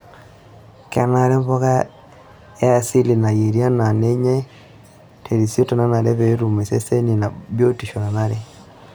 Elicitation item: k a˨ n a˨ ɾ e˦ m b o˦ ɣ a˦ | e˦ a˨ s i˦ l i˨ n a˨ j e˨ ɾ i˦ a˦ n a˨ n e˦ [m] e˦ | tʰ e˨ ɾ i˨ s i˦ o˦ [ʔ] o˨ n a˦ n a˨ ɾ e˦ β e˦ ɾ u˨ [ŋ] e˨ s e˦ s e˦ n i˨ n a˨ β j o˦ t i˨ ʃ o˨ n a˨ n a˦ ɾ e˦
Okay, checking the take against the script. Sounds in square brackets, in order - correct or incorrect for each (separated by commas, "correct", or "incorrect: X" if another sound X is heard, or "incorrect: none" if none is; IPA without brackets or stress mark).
incorrect: ɲ, incorrect: t, incorrect: m